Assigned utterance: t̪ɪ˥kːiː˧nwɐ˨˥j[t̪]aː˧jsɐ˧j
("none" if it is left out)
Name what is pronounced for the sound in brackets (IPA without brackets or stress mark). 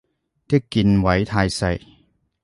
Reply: t̪ʰ